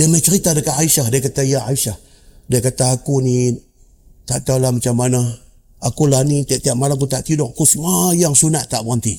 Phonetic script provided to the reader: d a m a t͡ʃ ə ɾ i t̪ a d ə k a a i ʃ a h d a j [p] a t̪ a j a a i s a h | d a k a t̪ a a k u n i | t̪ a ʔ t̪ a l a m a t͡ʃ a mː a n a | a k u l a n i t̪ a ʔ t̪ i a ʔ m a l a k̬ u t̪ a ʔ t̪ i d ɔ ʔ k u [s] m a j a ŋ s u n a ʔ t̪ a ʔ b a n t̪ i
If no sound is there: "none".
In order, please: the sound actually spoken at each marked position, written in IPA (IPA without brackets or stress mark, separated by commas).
k, s